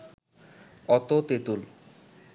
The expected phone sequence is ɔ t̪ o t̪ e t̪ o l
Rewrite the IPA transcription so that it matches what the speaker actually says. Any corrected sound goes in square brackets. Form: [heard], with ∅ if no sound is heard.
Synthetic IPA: ɔ t̪ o t̪ e t̪ [u] l